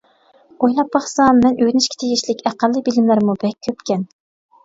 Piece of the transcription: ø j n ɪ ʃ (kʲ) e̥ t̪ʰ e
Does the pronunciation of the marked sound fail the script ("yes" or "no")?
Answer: no